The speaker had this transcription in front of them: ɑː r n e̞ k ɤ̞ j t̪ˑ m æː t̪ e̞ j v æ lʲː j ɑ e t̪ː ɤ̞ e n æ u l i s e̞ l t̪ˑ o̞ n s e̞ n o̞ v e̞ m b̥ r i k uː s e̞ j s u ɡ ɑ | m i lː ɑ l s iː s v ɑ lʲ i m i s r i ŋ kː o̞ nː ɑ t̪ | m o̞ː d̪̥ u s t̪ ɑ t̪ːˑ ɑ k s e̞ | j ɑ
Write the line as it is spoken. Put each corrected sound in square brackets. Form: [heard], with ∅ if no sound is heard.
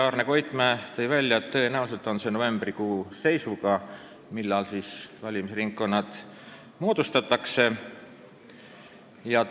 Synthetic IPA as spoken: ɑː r n e̞ k [o̞] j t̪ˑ m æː t̪ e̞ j v æ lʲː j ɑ e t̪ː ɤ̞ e n æ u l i s e̞ l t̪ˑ o̞ n s e̞ n o̞ v e̞ m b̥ r i k uː s e̞ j s u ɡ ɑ | m i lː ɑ l s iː s v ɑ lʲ i m i s r i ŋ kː o̞ nː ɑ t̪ | m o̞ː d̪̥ u s t̪ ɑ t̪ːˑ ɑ k s e̞ | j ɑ